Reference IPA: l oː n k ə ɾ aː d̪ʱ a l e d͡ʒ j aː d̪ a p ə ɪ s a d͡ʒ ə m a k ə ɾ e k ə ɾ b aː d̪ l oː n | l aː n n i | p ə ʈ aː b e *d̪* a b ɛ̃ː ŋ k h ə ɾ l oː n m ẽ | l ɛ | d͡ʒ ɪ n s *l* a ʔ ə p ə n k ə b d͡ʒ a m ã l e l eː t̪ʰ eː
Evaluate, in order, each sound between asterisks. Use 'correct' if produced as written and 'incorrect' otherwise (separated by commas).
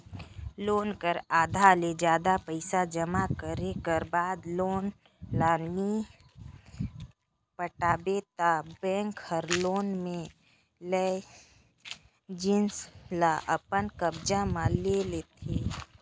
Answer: incorrect, correct